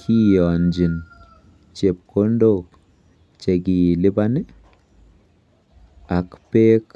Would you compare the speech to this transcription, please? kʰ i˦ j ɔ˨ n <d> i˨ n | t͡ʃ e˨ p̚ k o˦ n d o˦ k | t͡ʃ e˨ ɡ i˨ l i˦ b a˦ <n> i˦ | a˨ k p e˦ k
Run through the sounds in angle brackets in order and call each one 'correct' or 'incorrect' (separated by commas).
incorrect, correct